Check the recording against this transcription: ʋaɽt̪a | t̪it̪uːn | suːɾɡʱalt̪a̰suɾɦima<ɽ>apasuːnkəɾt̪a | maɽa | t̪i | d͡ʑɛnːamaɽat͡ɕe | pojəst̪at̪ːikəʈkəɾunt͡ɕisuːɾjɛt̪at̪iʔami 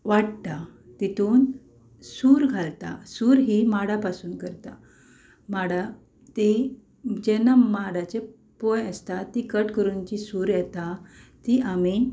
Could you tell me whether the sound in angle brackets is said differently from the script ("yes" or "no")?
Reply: no